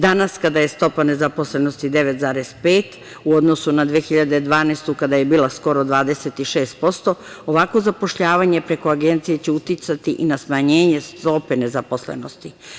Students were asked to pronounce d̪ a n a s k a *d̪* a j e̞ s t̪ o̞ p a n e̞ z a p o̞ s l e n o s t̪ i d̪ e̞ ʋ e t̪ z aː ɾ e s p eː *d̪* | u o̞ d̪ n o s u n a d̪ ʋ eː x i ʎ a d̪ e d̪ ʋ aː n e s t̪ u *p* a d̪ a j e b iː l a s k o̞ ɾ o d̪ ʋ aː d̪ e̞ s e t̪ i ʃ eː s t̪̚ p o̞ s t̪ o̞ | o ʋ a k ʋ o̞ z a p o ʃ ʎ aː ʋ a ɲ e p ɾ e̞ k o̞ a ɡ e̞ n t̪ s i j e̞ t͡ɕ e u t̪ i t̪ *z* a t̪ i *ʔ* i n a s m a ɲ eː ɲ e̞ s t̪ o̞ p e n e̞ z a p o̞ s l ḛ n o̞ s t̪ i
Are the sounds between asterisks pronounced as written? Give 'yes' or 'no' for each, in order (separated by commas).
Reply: yes, no, no, no, yes